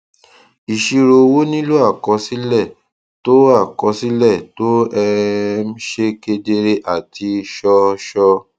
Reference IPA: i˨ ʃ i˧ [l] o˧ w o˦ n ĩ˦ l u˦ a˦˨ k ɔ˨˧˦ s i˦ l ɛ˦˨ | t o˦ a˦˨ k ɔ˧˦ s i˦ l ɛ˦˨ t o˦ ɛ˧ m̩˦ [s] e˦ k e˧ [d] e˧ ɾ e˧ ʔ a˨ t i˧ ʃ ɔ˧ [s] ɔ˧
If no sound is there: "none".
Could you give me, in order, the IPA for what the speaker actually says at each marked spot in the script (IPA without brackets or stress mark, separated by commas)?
ɾ, ʃ, d, ʃ